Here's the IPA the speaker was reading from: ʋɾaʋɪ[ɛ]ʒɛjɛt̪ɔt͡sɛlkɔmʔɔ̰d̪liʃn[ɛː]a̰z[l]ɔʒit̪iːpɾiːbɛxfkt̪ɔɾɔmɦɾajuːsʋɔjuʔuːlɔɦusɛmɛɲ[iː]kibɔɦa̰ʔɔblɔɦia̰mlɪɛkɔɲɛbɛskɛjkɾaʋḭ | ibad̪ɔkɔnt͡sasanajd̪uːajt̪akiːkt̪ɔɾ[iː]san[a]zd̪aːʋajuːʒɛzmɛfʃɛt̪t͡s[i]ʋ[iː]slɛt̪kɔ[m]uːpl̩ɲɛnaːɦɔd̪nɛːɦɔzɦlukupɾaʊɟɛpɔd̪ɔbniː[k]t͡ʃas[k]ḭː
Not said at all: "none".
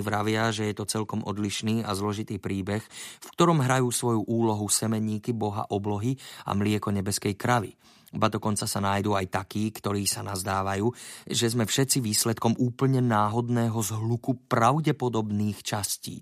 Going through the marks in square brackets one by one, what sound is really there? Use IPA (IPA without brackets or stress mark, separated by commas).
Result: a, iː, l, iː, iː, a, i, iː, m, x, c